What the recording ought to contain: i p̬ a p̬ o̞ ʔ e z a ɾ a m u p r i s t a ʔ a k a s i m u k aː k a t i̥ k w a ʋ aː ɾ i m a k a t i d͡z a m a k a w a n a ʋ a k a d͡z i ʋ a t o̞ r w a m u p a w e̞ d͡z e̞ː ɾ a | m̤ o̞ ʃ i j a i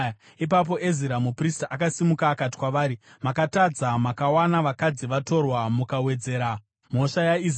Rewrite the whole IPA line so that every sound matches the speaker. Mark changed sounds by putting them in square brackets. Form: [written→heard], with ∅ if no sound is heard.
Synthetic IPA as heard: i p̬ a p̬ o̞ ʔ e z [a→i] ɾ a m u p r i s t a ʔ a k a s i m u k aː k a t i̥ k w a ʋ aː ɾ i m a k a t [i→a] d͡z a m a k a w a n a ʋ a k a d͡z i ʋ a t o̞ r w a m u [p→k] a w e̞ d͡z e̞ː ɾ a | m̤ o̞ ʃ [i→a] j a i

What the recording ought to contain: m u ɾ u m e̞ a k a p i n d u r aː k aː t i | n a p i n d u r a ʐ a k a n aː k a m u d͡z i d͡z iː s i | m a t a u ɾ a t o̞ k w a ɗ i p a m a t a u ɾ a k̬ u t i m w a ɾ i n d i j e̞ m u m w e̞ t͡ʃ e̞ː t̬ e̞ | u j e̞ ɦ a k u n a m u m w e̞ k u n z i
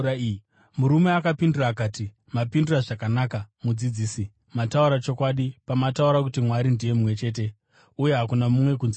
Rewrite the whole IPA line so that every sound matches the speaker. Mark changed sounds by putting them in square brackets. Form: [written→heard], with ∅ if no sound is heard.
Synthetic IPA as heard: m u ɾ u m e̞ a k a p i n d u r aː k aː t i | [n→m] a p i n d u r a ʐ a k a n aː k a m u d͡z i d͡z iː s i | m a t a u ɾ a [t→t͡ʃ] o̞ k w a ɗ i p a m a t a u ɾ a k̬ u t i m w a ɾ i n d i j e̞ m u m w e̞ t͡ʃ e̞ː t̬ e̞ | u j e̞ ɦ a k u n a m u m w e̞ k u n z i

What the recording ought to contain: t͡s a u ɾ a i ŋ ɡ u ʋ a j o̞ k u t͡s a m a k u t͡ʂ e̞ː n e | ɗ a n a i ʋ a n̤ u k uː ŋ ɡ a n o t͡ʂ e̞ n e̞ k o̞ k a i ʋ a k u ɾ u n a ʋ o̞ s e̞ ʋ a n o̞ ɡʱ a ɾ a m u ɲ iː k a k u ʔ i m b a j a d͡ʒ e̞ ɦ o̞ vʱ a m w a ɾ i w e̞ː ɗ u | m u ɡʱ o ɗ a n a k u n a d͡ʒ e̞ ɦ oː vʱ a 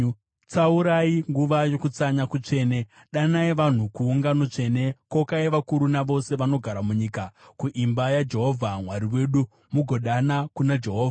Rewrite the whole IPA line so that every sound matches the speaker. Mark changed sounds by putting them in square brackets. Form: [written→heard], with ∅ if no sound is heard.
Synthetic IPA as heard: t͡s a u ɾ a i ŋ ɡ u ʋ a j o̞ k u t͡s a [m→ɲ] a k u t͡ʂ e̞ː n e | ɗ a n a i ʋ a n̤ u k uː ŋ ɡ a n o t͡ʂ e̞ n e̞ k o̞ k a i ʋ a k u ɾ u n a ʋ o̞ s e̞ ʋ a n o̞ ɡʱ a ɾ a m u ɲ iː k a k u ʔ i m b a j a d͡ʒ e̞ ɦ o̞ vʱ a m w a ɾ i w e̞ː ɗ u | m u ɡʱ o ɗ a n a k u n a d͡ʒ e̞ ɦ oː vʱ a

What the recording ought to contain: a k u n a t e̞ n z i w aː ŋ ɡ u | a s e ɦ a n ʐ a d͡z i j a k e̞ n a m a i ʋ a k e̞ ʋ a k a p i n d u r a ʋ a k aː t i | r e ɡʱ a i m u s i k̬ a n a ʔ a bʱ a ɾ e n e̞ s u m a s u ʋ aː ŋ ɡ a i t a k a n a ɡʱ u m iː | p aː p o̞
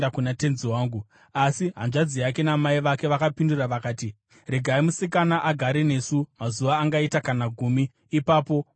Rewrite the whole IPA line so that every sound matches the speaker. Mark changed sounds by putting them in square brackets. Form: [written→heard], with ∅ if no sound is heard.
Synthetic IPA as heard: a k u n a t e̞ n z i w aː ŋ ɡ u | a s [e→i] ɦ a n ʐ a d͡z i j a k e̞ n a m a i ʋ a k e̞ ʋ a k a p i n d u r a ʋ a k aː t i | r e ɡʱ a i m u s i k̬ a n a ʔ a [bʱ→ɡʱ] a ɾ e n e̞ s u m a [s→z] u ʋ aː ŋ ɡ a i t a k a n a ɡʱ u m iː | p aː p o̞

